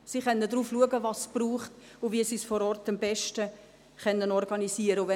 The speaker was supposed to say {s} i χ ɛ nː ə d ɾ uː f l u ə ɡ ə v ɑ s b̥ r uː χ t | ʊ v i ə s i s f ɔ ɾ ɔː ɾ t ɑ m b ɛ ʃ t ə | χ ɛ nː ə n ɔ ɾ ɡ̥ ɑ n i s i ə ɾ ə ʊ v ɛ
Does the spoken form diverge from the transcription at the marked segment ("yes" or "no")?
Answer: no